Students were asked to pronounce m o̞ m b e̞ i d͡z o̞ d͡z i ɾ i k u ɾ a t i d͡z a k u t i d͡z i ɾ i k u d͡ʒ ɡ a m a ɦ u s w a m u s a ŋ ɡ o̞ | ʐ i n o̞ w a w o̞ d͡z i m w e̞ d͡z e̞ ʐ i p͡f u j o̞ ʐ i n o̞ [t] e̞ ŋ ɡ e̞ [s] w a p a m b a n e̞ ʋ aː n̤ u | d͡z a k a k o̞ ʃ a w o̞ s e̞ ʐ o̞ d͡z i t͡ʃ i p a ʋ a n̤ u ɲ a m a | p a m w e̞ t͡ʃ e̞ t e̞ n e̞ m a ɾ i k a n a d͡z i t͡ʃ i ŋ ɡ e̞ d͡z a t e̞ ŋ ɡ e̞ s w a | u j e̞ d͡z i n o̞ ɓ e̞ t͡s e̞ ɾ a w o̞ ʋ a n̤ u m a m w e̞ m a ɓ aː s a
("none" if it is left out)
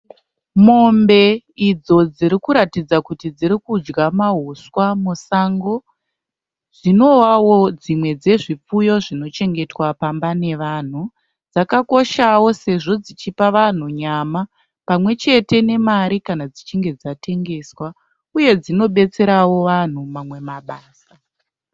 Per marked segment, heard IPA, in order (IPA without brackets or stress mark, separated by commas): t͡ʃ, t